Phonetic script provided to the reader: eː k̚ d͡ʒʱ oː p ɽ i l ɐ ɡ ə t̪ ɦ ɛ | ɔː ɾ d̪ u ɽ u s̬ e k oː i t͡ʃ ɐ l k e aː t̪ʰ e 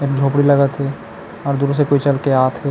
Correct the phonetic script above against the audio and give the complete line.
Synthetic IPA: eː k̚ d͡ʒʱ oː p ɽ i l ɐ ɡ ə t̪ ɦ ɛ | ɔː ɾ d̪ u ɾ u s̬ e k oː i t͡ʃ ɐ l k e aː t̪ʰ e